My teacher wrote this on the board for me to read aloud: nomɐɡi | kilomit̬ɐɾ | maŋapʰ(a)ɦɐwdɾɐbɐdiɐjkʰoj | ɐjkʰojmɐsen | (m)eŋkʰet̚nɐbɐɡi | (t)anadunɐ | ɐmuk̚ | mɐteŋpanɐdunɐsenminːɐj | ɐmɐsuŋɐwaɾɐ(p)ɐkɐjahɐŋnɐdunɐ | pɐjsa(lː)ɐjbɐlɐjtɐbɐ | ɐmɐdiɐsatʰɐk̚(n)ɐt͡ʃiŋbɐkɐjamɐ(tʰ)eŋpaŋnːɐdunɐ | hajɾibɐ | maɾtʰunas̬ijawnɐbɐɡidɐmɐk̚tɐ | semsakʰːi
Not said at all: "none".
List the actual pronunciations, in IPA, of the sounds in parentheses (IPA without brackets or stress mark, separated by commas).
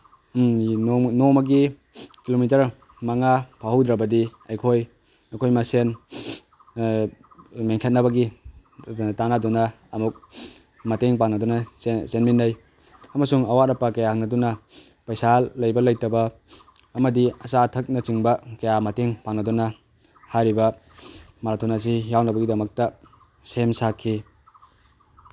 a, m, t, p, lː, n, t